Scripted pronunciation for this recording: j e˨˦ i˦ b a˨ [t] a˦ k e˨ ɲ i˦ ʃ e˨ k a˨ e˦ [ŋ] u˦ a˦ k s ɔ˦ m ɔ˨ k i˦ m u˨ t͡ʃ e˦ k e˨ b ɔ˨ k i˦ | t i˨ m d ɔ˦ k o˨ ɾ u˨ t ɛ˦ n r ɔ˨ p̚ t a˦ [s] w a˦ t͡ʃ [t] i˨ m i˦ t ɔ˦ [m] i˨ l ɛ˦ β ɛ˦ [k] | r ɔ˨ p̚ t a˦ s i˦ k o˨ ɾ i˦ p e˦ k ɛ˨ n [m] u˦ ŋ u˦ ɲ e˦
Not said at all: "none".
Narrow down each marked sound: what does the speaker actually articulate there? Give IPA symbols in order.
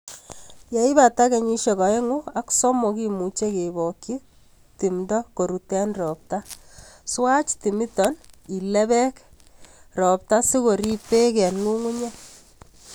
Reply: t, ŋ, s, t, n, k, ŋ

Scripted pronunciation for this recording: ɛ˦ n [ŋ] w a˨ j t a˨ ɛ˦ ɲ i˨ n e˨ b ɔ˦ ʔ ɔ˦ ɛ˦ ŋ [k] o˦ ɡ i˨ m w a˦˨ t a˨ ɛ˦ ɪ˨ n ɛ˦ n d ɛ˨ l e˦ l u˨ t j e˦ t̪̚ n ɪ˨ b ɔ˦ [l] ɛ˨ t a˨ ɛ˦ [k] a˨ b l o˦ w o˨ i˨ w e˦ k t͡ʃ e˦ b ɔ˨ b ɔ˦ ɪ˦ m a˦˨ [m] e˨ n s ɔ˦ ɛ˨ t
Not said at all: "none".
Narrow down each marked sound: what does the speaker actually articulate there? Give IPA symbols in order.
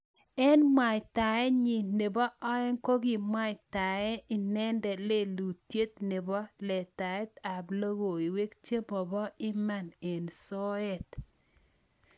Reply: m, k, l, t, n

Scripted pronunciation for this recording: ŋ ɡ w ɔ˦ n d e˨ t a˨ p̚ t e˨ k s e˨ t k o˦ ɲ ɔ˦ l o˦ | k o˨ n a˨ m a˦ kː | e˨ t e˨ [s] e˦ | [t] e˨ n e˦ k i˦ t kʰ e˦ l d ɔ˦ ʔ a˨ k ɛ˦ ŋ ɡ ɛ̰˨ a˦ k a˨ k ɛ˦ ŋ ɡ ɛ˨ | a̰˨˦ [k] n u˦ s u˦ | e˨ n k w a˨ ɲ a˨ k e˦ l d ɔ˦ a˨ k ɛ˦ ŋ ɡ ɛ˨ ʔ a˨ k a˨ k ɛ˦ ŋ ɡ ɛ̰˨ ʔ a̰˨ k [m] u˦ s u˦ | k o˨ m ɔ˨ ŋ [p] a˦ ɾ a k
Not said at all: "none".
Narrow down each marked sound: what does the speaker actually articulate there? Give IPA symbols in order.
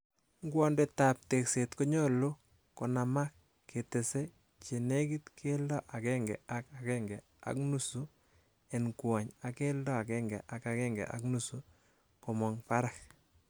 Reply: s, t͡ʃ, k, n, p

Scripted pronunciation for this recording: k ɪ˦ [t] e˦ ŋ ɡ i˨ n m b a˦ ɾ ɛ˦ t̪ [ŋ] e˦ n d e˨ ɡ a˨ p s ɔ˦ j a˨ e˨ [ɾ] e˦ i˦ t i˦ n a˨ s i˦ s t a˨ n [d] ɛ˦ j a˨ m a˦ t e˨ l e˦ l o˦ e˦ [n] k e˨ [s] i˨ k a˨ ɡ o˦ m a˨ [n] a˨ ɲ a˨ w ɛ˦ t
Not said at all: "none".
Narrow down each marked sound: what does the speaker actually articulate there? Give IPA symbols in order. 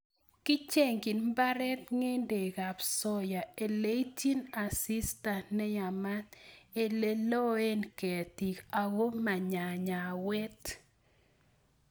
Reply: t͡ʃ, ŋ, l, n, n, t, ɲ

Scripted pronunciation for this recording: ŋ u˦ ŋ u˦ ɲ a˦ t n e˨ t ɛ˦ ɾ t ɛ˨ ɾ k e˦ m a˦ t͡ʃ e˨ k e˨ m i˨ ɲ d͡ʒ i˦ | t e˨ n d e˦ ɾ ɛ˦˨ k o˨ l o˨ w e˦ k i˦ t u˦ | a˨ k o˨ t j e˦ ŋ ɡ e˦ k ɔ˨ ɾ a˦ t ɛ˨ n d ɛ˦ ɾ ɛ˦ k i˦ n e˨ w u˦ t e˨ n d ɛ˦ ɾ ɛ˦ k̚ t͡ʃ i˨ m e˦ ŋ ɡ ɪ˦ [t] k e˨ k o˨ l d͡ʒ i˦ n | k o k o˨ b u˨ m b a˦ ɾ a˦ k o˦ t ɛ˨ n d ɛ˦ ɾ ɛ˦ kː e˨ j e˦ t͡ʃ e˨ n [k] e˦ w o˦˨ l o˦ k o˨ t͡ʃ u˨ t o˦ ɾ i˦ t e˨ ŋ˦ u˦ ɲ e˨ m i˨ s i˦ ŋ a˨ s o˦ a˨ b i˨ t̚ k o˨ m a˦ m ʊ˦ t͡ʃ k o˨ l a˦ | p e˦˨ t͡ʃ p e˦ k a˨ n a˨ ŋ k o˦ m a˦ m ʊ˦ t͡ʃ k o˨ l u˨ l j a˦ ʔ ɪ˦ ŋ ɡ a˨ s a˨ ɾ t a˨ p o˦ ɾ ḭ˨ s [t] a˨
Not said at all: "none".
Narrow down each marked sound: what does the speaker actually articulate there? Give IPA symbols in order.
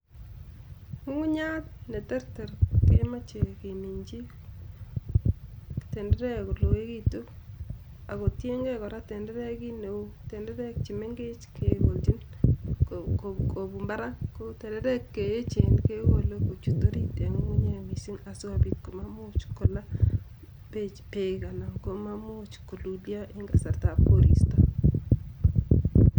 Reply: t͡ʃ, k, t

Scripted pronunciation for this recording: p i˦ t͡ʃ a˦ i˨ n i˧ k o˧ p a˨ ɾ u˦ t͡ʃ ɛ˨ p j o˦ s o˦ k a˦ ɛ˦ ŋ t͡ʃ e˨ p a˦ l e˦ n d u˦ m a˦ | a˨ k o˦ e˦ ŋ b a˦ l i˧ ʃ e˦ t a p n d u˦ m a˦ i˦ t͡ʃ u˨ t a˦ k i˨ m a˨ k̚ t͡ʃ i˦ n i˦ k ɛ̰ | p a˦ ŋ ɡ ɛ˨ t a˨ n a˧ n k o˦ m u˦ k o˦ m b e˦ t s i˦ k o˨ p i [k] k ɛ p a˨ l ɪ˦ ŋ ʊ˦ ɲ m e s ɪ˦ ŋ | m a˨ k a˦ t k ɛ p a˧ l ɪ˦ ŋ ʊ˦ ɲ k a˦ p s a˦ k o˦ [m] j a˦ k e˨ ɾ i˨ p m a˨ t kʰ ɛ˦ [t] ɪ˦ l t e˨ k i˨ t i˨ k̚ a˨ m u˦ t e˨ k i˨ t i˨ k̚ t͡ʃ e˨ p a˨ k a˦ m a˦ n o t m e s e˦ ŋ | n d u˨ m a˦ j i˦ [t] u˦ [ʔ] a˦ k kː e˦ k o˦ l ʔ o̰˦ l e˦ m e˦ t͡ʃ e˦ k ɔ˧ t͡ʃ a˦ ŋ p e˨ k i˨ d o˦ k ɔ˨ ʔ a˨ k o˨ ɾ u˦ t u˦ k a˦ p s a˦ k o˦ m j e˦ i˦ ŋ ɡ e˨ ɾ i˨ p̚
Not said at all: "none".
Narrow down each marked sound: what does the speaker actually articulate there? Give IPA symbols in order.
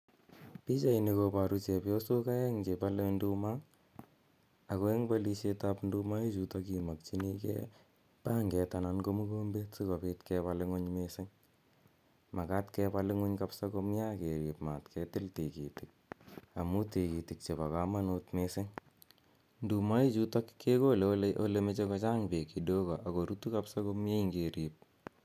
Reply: t, m, t, t͡ʃ, t

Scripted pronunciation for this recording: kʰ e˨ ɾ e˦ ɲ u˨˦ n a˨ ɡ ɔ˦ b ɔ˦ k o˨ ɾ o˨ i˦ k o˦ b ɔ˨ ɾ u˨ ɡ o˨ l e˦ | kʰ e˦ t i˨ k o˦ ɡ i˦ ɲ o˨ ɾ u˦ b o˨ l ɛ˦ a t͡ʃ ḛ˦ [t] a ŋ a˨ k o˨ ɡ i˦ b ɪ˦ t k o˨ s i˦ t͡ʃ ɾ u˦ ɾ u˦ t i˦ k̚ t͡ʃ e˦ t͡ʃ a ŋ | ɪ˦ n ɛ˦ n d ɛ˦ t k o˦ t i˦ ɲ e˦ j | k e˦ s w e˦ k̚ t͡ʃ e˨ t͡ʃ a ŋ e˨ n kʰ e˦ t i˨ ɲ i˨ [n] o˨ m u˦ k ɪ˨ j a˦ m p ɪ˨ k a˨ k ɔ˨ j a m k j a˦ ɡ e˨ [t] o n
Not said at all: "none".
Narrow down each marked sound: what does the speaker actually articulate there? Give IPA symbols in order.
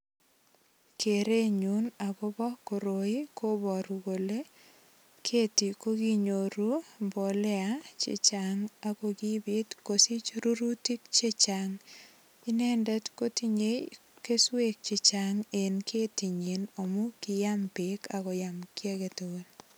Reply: t͡ʃ, n, t

